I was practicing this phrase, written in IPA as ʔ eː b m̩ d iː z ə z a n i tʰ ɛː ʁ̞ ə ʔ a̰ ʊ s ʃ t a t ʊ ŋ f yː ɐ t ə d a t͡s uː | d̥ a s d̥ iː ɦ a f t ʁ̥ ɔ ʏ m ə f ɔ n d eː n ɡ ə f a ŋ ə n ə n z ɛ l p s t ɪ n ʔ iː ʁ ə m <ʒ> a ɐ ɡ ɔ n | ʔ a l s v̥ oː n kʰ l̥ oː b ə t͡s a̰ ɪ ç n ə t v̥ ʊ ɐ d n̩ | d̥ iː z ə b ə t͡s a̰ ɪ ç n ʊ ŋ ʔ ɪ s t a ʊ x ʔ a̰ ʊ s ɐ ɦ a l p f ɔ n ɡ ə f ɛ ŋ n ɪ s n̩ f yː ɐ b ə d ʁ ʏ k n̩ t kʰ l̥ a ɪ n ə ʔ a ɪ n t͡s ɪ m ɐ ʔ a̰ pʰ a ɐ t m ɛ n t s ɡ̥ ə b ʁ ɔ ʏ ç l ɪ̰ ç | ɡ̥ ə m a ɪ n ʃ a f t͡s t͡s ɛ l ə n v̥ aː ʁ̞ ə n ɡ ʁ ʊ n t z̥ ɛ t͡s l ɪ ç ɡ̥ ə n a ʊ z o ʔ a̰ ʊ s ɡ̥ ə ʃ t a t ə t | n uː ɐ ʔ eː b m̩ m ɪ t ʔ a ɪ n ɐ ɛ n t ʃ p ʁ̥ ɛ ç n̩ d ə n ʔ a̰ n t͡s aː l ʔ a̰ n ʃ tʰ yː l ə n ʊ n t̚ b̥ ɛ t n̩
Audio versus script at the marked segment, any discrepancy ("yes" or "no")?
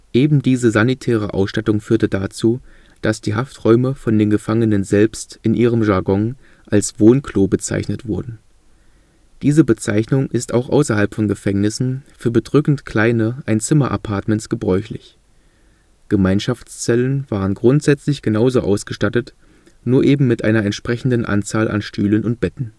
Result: no